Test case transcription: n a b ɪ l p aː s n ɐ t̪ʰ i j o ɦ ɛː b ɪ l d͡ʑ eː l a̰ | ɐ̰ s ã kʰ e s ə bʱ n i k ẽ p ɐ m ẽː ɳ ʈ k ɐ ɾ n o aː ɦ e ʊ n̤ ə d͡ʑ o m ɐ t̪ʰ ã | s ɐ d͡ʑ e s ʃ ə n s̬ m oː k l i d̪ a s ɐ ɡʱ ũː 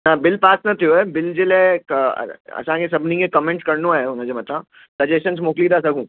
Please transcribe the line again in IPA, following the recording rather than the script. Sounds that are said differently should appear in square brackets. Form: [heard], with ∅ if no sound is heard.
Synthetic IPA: n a b ɪ l p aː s n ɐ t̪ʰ i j o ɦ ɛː b ɪ l d͡ʑ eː l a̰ | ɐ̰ s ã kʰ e s [ɐ] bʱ n i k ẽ [k] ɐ m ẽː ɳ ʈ k ɐ ɾ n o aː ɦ e ʊ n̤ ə d͡ʑ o m ɐ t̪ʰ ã | s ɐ d͡ʑ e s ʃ ə n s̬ m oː k l i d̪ a s ɐ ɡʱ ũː